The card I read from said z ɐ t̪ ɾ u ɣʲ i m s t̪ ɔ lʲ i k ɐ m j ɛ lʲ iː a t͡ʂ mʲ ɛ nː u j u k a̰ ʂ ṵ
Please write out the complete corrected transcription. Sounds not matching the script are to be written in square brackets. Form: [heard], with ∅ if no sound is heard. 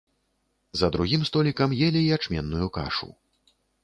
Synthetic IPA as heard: z ɐ [d̪] ɾ u ɣʲ i m s t̪ ɔ lʲ i k ɐ m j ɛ lʲ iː a t͡ʂ mʲ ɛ nː u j u k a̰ ʂ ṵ